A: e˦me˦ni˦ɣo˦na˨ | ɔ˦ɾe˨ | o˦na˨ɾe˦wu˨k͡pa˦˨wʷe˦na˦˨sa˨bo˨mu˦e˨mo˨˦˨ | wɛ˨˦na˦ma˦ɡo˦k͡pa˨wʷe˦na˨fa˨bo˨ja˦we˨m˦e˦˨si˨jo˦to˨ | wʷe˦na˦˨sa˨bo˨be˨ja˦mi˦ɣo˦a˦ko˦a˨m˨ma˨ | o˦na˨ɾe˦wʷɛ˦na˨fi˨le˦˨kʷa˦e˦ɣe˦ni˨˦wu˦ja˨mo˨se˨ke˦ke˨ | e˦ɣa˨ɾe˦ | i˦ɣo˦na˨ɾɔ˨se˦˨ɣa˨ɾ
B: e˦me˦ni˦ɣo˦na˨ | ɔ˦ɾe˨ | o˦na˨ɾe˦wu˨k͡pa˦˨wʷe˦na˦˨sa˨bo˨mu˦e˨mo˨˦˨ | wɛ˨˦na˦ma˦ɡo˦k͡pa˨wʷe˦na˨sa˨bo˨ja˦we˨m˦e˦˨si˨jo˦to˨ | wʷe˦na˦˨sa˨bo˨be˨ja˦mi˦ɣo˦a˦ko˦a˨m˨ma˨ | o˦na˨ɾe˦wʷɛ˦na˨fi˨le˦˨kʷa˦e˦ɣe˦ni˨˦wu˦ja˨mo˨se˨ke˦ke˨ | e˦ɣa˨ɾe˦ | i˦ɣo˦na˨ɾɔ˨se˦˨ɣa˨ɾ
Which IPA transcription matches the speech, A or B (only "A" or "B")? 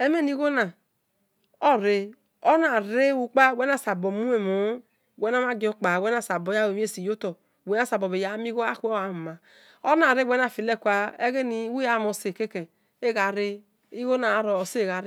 B